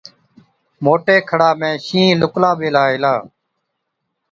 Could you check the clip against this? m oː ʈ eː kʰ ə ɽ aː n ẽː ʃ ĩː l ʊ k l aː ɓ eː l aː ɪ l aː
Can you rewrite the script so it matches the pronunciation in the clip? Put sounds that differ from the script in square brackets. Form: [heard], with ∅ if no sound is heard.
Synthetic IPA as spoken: m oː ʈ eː kʰ ə ɽ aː [m] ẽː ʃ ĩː l ʊ k l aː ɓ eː l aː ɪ l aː